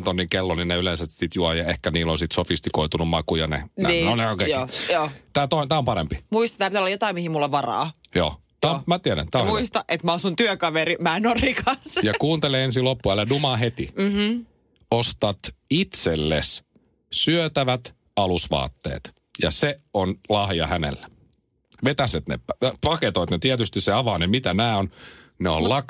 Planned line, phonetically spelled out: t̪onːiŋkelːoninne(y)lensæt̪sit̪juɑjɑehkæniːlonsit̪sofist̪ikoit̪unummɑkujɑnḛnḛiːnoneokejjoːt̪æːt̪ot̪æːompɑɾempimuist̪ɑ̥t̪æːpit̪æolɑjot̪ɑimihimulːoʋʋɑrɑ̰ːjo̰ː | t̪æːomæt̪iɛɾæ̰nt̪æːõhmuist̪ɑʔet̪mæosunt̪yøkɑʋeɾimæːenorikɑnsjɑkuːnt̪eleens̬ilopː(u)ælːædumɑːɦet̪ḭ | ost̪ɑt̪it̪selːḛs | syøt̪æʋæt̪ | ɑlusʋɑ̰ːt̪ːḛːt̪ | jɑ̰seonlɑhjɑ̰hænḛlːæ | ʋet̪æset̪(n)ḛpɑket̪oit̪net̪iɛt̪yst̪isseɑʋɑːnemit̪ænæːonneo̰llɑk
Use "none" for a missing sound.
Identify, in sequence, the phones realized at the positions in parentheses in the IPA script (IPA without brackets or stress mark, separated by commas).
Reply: y, u, n